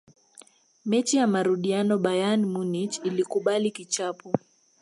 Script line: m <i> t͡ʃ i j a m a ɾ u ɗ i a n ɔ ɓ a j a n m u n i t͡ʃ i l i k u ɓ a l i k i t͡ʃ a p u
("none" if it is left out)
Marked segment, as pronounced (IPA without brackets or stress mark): ɛ